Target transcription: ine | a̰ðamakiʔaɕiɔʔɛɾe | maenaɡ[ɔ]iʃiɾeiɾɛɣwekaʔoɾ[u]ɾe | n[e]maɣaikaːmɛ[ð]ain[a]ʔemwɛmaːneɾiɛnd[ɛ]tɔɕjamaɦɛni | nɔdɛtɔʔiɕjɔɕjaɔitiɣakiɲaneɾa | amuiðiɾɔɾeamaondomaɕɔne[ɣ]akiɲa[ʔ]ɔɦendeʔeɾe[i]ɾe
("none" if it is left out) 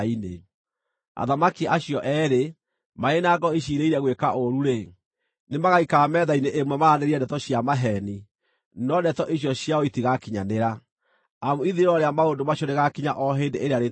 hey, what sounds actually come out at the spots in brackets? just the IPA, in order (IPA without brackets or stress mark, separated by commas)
ɔ, u, e, ð, e, ɛ, ɣ, ʔ, a